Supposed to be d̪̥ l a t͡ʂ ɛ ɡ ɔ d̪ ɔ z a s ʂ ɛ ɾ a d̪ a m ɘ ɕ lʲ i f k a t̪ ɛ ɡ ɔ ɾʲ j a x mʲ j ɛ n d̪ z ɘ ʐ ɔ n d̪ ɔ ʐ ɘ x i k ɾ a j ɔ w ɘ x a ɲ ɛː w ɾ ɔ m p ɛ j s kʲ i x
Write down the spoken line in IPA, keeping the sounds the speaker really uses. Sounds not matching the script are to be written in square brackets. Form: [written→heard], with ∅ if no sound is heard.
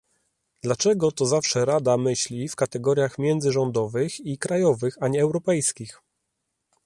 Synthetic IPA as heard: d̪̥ l a t͡ʂ ɛ ɡ ɔ [d̪→t̪] ɔ z a [s→f] ʂ ɛ ɾ a d̪ a m ɘ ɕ lʲ i f k a t̪ ɛ ɡ ɔ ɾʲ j a x mʲ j ɛ n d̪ z ɘ ʐ ɔ n d̪ ɔ [ʐ→v] ɘ x i k ɾ a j ɔ [w→v] ɘ x a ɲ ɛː w ɾ ɔ [m→∅] p ɛ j s kʲ i x

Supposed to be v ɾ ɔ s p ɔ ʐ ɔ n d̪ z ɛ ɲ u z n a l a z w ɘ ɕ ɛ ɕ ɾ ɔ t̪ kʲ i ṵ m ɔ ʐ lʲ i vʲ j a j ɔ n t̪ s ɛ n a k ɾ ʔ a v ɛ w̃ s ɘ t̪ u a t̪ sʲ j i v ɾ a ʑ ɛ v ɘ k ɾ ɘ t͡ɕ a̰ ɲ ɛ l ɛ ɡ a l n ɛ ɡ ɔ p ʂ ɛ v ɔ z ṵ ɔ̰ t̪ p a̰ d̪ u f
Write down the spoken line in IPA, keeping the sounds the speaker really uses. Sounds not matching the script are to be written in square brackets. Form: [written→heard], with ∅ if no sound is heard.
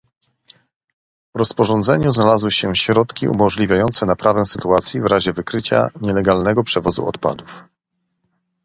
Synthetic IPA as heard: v ɾ ɔ s p ɔ ʐ ɔ n d̪ z ɛ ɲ u z n a l a z w ɘ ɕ ɛ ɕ ɾ ɔ t̪ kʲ i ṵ m ɔ ʐ lʲ i vʲ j a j ɔ n t̪ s ɛ n a [k→p] ɾ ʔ a v ɛ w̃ s ɘ t̪ u a t̪ sʲ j i v ɾ a ʑ ɛ v ɘ k ɾ ɘ t͡ɕ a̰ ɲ ɛ l ɛ ɡ a l n ɛ ɡ ɔ p ʂ ɛ v ɔ z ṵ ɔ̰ t̪ p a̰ d̪ u f

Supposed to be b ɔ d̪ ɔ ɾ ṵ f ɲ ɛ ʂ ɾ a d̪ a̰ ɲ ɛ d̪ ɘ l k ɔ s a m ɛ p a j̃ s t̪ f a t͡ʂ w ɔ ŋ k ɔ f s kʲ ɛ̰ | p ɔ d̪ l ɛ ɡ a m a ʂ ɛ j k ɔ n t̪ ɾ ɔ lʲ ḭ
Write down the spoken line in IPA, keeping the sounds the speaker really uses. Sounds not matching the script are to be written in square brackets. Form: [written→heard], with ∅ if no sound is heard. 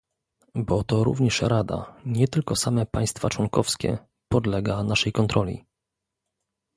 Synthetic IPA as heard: b ɔ [d̪→t̪] ɔ ɾ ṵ [f→v] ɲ ɛ ʂ ɾ a d̪ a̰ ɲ ɛ [d̪→t̪] ɘ l k ɔ s a m ɛ p a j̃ s t̪ f a t͡ʂ w ɔ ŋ k ɔ f s kʲ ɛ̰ | p ɔ d̪ l ɛ ɡ a [m→n] a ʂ ɛ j k ɔ n t̪ ɾ ɔ lʲ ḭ

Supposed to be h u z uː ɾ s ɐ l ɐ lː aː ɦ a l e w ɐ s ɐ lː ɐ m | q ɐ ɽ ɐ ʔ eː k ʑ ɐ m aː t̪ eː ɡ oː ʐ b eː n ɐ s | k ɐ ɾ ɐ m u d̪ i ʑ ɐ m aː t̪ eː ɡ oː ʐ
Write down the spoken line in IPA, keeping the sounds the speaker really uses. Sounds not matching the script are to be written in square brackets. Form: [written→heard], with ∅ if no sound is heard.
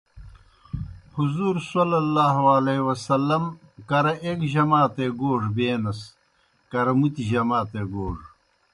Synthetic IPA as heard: h u z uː ɾ s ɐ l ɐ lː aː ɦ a l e w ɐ s ɐ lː ɐ m | [q→k] ɐ [ɽ→ɾ] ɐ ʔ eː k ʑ ɐ m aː t̪ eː ɡ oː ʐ b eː n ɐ s | k ɐ ɾ ɐ m u [d̪→t̪] i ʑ ɐ m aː t̪ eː ɡ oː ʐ

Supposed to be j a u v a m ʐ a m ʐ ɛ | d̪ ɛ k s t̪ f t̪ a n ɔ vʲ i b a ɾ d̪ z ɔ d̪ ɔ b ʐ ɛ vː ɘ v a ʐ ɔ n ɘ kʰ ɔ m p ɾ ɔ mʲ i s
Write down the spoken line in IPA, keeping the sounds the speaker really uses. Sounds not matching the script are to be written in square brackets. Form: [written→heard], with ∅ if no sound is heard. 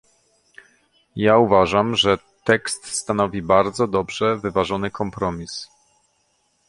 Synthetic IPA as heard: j a u v a [m→∅] ʐ a m ʐ ɛ | [d̪→t̪] ɛ k s t̪ [f→s] t̪ a n ɔ vʲ i b a ɾ d̪ z ɔ d̪ ɔ b ʐ ɛ [vː→v] ɘ v a ʐ ɔ n ɘ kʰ ɔ m p ɾ ɔ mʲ i s

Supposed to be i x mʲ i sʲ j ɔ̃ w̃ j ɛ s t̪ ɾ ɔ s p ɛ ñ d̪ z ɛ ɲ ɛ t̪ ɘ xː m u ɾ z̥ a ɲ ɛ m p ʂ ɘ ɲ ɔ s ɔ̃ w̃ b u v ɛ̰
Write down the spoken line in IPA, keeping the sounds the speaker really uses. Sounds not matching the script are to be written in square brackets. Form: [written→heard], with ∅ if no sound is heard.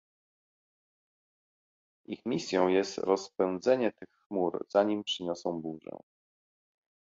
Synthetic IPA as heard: i x mʲ i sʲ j ɔ̃ w̃ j ɛ s t̪ ɾ ɔ s p ɛ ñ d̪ z ɛ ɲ ɛ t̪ ɘ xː m u ɾ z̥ a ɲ [ɛ→i] m p ʂ ɘ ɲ ɔ s ɔ̃ w̃ b u [v→ʐ] ɛ̰

